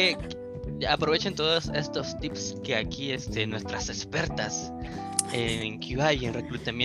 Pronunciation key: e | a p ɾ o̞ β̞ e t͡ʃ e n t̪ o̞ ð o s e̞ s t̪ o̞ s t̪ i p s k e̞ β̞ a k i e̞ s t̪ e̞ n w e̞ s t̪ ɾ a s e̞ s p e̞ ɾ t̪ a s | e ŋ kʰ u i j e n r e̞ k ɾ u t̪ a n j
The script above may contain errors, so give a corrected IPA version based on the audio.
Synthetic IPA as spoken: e | a p ɾ o̞ β̞ e t͡ʃ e n t̪ o̞ ð o s e̞ s t̪ o̞ s t̪ i p s k e̞ a k i e̞ s t̪ e̞ n w e̞ s t̪ ɾ a s e̞ s p e̞ ɾ t̪ a s | e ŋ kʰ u a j e n r e̞ k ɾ u t̪ a m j